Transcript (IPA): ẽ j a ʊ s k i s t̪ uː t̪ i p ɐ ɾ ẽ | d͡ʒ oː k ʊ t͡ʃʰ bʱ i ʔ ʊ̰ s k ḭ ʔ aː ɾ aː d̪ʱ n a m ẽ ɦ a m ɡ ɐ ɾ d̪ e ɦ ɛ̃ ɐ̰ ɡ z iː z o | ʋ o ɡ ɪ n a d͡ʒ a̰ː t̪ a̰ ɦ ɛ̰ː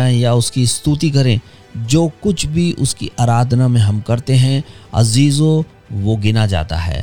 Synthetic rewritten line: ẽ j a ʊ s k i s t̪ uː t̪ i k ɐ ɾ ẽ | d͡ʒ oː k ʊ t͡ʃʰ bʱ i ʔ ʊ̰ s k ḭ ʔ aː ɾ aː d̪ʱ n a m ẽ ɦ ɐ m k ɐ ɾ t̪ e ɦ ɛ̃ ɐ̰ z iː z o | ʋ o ɡ ɪ n a d͡ʒ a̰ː t̪ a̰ ɦ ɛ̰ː